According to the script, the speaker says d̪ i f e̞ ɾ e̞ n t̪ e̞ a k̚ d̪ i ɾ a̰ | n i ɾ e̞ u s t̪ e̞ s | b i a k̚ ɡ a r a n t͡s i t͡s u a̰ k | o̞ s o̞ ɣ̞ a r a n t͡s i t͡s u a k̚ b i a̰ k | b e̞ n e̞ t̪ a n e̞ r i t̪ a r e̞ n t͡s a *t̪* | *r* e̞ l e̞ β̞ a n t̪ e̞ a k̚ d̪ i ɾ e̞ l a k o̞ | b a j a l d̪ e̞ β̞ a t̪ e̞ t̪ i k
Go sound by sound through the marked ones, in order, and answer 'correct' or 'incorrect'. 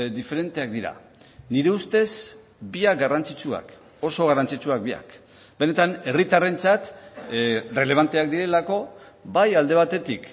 correct, correct

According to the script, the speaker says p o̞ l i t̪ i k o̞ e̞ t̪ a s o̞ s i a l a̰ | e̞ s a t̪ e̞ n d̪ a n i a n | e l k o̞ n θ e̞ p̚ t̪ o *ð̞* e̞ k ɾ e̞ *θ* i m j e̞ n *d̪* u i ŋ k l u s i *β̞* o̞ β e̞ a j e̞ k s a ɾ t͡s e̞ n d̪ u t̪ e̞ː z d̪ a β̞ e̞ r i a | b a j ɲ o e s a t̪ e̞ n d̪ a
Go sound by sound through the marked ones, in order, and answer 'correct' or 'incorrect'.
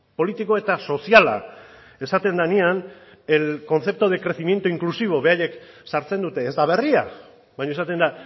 correct, correct, incorrect: t̪, correct

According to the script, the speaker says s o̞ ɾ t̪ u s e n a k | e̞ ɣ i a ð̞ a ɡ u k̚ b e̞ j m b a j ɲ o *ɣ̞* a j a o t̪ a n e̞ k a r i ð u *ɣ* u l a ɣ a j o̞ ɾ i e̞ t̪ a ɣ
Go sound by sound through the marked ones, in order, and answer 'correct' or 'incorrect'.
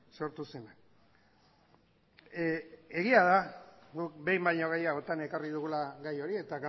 correct, correct

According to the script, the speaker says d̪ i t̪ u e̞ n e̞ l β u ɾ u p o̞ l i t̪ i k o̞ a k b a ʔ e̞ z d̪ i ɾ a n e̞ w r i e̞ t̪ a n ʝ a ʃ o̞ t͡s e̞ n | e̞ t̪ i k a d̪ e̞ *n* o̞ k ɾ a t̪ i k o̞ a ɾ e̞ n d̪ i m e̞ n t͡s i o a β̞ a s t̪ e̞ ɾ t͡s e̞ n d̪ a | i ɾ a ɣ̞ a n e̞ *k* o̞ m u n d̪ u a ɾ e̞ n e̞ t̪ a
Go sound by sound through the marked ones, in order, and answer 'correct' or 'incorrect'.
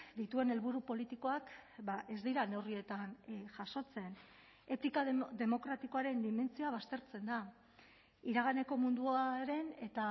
incorrect: m, correct

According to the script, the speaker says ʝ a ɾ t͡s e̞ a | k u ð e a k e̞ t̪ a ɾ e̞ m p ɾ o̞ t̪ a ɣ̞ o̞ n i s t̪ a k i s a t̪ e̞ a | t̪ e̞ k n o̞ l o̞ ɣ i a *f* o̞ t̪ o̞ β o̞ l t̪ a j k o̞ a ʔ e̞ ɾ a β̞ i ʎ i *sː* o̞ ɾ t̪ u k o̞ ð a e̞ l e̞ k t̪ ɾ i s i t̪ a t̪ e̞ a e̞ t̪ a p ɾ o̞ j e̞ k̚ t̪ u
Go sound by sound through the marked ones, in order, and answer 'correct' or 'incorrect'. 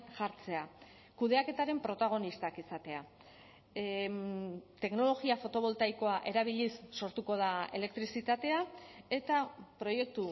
correct, correct

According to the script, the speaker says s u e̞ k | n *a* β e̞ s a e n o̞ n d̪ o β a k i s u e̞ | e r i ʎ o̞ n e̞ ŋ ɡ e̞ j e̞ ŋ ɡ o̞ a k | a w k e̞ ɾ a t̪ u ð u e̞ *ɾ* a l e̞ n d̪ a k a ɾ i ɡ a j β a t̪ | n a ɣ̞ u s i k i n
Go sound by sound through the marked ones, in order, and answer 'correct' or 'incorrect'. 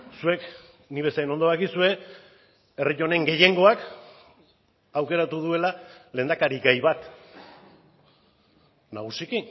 incorrect: i, incorrect: l

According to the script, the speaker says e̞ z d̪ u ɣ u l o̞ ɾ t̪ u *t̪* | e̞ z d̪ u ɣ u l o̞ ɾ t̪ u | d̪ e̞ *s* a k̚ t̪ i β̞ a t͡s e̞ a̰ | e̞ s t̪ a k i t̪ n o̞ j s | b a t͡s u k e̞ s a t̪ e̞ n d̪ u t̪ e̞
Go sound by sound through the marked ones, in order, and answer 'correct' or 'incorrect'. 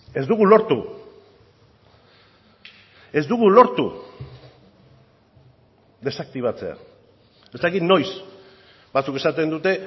incorrect: none, correct

